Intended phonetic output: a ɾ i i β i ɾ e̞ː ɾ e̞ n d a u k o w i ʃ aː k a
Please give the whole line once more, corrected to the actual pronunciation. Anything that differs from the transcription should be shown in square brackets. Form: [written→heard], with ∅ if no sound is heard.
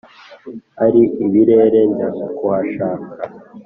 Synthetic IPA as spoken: a ɾ i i β i ɾ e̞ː ɾ e̞ n d a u k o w [i→a] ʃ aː k a